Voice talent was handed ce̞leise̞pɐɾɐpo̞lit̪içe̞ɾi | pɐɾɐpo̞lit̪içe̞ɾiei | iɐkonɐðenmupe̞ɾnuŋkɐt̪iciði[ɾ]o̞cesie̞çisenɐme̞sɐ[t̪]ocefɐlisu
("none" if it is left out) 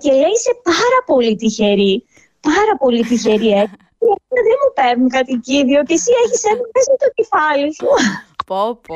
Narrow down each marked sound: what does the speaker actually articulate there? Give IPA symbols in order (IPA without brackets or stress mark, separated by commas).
none, t̪